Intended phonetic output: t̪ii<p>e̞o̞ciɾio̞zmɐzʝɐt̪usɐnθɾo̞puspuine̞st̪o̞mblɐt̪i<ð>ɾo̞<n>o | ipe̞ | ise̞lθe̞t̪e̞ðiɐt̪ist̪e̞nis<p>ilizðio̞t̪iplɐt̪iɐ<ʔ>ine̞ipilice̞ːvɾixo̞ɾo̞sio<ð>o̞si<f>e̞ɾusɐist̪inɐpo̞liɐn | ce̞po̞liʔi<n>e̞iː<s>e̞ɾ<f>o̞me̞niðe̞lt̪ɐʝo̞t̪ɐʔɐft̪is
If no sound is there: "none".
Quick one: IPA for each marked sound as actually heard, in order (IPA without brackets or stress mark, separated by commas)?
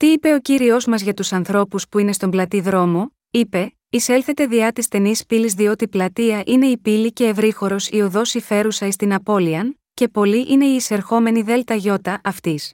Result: p, ð, m, p, ʔ, ð, f, n, s, x